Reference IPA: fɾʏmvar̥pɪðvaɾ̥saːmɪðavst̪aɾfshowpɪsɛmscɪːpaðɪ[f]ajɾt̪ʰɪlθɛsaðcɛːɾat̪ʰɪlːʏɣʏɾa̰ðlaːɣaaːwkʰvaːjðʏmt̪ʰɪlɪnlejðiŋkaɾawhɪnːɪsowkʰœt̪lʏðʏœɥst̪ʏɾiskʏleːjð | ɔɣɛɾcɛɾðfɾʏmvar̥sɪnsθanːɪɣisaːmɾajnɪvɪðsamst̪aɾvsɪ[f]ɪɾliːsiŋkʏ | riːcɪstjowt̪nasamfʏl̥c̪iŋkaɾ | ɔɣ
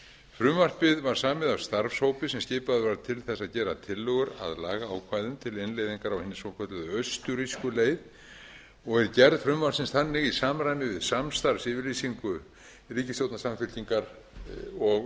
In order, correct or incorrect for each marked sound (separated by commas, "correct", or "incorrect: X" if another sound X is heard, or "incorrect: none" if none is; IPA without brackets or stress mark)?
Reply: incorrect: v, incorrect: v